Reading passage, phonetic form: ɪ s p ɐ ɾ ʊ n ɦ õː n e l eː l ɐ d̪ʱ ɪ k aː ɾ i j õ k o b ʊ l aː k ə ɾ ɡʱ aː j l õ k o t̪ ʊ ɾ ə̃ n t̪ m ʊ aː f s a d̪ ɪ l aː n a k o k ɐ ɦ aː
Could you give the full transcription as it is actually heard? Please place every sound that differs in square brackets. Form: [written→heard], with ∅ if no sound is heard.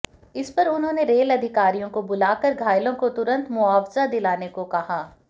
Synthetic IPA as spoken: ɪ s p ɐ ɾ ʊ n ɦ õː n e [l→ɾ] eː l ɐ d̪ʱ ɪ k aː ɾ i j õ k o b ʊ l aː k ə ɾ ɡʱ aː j l õ k o t̪ ʊ ɾ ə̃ n t̪ m ʊ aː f [s→z] a d̪ ɪ l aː n [a→e] k o k ɐ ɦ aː